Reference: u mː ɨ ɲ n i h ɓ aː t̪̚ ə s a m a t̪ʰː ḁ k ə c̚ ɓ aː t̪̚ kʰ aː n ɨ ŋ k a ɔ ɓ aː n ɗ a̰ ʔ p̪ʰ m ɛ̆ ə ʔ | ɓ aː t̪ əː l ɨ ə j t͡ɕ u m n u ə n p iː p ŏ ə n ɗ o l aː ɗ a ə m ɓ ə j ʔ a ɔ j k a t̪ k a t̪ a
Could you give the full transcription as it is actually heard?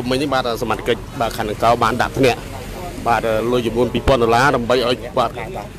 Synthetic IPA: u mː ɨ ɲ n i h ɓ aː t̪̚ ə s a m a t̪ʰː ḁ k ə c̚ ɓ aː kʰ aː n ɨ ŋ k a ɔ ɓ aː n ɗ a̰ ʔ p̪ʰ n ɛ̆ ə ʔ | ɓ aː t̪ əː l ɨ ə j t͡ɕ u m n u ə n p iː p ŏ ə n ɗ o l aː ɗ a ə m ɓ ə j ʔ a ɔ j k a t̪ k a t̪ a